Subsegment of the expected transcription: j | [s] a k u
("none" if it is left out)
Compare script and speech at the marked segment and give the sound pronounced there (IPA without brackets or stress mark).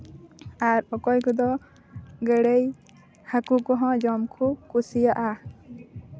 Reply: h